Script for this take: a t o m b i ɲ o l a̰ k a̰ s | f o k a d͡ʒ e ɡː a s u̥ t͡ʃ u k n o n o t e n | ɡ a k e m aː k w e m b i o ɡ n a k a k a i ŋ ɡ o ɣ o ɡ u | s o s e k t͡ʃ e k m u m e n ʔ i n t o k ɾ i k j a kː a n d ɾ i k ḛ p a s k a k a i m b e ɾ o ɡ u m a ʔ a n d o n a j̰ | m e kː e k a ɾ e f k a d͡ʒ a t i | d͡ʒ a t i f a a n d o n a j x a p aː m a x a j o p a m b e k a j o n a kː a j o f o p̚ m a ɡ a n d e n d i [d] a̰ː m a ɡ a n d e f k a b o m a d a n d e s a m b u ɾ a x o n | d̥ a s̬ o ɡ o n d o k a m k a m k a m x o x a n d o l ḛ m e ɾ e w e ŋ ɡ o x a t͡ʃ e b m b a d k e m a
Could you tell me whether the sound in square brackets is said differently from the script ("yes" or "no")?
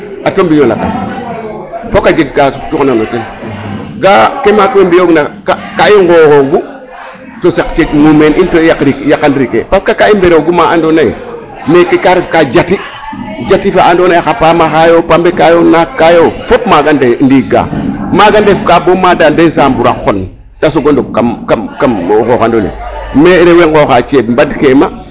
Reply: yes